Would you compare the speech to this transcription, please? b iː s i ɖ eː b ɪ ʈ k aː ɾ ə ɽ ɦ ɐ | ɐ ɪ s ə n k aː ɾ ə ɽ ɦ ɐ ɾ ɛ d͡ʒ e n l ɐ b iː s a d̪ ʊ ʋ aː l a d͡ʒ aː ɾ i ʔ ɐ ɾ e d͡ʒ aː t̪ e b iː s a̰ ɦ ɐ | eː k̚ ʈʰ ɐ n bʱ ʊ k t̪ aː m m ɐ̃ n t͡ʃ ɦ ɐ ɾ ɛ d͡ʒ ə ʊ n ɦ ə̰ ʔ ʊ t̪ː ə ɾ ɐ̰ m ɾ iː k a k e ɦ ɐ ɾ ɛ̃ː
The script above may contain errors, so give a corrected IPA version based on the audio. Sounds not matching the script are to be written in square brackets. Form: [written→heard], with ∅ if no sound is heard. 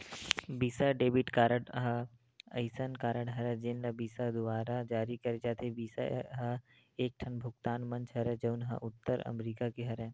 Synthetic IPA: b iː s [i→a] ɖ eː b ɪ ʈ k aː ɾ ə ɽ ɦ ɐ | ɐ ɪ s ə n k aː ɾ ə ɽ ɦ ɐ ɾ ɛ d͡ʒ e n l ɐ b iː s a d̪ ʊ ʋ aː [l→ɾ] a d͡ʒ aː ɾ i [ʔ→k] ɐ ɾ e d͡ʒ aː t̪ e b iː s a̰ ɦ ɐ | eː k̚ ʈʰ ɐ n bʱ ʊ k t̪ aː [m→n] m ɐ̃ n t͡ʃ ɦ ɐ ɾ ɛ d͡ʒ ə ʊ n ɦ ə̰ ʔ ʊ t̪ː ə ɾ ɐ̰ m ɾ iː k a k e ɦ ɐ ɾ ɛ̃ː